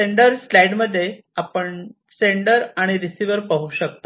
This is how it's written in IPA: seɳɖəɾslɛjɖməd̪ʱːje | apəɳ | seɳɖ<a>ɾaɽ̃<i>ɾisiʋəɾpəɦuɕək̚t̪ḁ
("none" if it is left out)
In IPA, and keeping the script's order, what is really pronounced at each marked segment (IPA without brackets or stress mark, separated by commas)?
ə, i